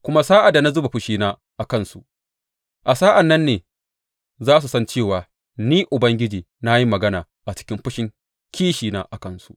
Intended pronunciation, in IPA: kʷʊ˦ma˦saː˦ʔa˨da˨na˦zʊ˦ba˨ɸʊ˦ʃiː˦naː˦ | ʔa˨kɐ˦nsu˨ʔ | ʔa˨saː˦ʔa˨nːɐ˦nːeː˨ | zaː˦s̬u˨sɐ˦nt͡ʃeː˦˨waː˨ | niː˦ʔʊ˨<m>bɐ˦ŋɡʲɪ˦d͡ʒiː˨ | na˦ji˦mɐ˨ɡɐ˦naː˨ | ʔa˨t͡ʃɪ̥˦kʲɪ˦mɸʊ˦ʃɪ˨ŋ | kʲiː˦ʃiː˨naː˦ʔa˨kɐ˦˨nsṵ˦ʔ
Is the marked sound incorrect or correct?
incorrect